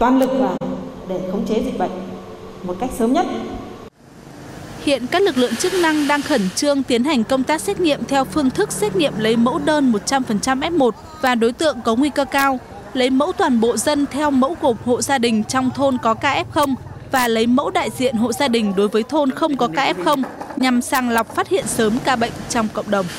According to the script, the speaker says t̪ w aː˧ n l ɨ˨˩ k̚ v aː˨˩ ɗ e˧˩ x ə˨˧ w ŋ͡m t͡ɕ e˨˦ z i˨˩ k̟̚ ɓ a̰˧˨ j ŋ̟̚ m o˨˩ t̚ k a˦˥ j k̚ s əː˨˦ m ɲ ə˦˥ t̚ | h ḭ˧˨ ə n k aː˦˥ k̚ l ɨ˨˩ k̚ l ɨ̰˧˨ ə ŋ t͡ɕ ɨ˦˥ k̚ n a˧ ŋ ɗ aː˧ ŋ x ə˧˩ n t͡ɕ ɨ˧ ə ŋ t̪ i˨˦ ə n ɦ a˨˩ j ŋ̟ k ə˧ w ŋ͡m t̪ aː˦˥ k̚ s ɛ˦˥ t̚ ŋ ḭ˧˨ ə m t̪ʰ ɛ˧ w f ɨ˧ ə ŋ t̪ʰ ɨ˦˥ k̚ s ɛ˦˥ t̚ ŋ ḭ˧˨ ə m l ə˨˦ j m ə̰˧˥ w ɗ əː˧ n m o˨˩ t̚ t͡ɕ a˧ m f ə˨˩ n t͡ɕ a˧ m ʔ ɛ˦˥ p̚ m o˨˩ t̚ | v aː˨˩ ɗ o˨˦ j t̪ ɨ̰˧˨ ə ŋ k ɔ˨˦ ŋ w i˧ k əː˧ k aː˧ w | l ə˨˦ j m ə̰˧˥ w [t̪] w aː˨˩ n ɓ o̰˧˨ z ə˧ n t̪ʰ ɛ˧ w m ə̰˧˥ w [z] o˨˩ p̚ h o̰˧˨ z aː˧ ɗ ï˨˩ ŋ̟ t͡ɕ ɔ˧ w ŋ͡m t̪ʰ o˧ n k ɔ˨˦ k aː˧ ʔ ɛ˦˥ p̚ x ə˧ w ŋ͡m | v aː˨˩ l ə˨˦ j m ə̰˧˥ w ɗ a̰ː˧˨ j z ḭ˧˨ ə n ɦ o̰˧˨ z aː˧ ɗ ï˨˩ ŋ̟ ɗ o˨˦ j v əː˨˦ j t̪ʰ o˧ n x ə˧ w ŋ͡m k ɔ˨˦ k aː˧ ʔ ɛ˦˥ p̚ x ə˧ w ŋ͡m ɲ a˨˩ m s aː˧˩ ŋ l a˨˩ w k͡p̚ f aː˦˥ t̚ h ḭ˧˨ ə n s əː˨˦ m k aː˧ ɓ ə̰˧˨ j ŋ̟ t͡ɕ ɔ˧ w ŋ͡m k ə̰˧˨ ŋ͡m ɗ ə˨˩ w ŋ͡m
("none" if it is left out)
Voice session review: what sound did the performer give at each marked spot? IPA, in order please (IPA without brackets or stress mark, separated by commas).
t̪, ɣ